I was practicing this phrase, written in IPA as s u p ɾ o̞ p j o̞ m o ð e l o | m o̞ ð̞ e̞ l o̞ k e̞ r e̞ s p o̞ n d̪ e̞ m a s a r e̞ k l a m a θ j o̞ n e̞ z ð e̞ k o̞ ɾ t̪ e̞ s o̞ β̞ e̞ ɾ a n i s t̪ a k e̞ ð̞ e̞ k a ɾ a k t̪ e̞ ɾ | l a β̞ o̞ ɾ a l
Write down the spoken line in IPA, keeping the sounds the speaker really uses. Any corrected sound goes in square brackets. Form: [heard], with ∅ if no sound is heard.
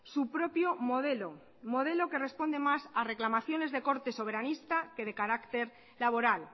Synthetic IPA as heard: s u p ɾ o̞ p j o̞ m o ð e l o | m o̞ ð̞ e̞ l o̞ k e̞ r e̞ s p o̞ n d̪ e̞ m a s a r e̞ k l a m a θ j o̞ n e̞ z ð e̞ k o̞ ɾ t̪ e̞ s o̞ β̞ e̞ ɾ a n i s t̪ a k e̞ ð̞ e̞ k a ɾ a k t̪ e̞ ɾ | l a β̞ o̞ ɾ a l